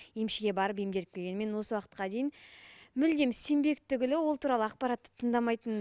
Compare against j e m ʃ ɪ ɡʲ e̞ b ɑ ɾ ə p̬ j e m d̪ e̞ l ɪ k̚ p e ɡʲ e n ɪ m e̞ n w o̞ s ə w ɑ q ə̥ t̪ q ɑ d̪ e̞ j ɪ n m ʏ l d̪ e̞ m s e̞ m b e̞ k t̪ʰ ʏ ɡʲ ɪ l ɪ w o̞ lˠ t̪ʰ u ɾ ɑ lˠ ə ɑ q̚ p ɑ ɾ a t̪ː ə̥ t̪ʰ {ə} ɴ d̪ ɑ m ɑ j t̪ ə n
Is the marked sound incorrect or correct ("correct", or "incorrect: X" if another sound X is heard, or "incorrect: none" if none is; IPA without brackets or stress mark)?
correct